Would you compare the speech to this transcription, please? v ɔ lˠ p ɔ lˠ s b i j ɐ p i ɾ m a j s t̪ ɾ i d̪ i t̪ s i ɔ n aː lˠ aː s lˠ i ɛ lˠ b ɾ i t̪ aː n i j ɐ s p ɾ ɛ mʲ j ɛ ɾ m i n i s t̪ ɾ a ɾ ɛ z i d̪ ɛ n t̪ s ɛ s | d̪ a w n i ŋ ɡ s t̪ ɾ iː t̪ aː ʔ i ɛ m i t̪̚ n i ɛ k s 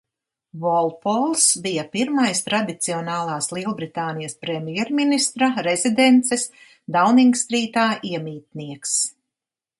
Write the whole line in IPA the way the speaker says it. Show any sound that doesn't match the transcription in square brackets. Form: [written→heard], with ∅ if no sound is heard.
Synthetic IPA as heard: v ɔ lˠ p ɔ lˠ s b i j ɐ p i ɾ m a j s t̪ ɾ [i→a] d̪ i t̪ s i ɔ n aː lˠ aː s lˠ i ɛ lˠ b ɾ i t̪ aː n i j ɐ s p ɾ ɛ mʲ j ɛ ɾ m i n i s t̪ ɾ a ɾ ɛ z i d̪ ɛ n t̪ s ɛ s | d̪ a w n i ŋ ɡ s t̪ ɾ iː t̪ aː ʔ i ɛ m [i→iː] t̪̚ n i ɛ k s